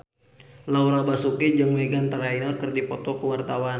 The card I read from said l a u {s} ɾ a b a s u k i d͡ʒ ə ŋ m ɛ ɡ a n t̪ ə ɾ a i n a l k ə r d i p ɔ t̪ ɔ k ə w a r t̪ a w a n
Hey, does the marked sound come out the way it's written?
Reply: no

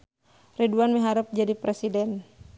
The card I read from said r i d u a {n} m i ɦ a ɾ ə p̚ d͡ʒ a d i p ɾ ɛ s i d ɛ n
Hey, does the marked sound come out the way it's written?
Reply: yes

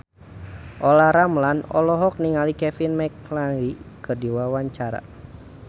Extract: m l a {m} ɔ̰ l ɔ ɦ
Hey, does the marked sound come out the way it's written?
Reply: no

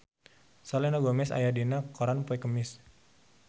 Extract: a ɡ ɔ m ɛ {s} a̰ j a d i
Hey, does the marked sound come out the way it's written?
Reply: yes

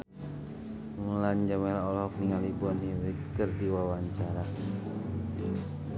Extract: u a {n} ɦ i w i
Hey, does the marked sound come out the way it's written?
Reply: yes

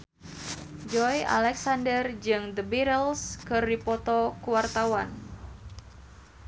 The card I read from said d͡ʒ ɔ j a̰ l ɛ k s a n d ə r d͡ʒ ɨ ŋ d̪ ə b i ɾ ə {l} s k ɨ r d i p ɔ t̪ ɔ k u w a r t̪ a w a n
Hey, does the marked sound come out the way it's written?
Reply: yes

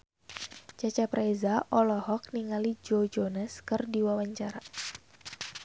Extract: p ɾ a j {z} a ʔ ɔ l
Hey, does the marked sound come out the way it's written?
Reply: yes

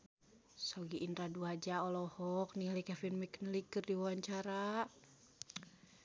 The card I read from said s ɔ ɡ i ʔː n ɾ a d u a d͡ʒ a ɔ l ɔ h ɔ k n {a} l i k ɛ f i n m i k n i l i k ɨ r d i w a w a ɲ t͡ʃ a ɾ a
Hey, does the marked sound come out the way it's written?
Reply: no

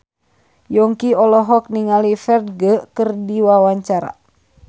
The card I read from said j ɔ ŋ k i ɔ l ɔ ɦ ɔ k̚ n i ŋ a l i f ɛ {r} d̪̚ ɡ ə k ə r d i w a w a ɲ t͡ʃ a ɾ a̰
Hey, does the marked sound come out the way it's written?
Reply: yes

